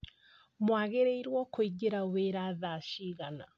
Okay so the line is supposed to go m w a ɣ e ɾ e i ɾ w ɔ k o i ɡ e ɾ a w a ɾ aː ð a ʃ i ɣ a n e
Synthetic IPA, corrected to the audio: m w a ɣ e ɾ e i ɾ w ɔ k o i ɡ e ɾ a w e ɾ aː ð a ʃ i ɣ a n a